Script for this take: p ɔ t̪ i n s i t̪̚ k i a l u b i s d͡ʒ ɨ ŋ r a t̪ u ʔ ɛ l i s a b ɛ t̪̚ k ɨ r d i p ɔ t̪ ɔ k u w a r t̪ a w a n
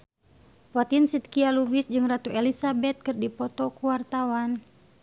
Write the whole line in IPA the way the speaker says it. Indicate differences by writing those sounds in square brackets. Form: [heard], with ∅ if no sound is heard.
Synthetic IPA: p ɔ t̪ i n s i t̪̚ k i a l u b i s d͡ʒ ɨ ŋ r a t̪ u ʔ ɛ l i s a b ɛ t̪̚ k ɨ r d i p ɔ t̪ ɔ k u w a r t̪ a w a n